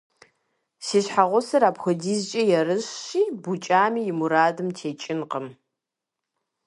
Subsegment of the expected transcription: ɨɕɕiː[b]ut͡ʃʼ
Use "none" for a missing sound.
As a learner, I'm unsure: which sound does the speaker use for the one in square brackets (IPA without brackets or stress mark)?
b